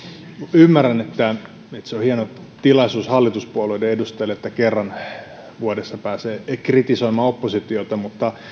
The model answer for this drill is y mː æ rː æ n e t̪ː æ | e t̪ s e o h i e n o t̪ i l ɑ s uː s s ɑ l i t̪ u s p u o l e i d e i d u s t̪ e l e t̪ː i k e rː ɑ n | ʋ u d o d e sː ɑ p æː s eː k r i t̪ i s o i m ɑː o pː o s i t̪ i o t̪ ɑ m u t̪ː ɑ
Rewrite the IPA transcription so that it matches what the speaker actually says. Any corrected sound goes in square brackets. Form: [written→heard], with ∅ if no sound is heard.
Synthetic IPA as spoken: y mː æ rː æ n e t̪ː æ | e t̪ s e o h i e n o t̪ i l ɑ s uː s [s→h] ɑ [l→lː] i t̪ u s p u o l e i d e [i→e] d u s t̪ e l e t̪ː [i→æ] k e rː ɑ n | ʋ u [d→∅] o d e sː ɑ p æː s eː k r i t̪ i s o i m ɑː o pː o s i t̪ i o t̪ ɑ m u t̪ː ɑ